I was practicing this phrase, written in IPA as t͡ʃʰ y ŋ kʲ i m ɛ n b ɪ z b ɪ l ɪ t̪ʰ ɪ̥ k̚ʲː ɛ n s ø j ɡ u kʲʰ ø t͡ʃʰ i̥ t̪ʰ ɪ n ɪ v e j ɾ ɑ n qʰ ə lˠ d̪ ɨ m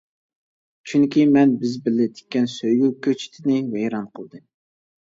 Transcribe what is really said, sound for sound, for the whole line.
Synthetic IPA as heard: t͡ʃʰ y ŋ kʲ i m ɛ n b ɪ z b ɪ l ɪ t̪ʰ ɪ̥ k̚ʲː ɛ n s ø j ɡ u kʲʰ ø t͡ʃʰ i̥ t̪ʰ ɪ n ɪ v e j ɾ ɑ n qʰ ə lˠ d̪ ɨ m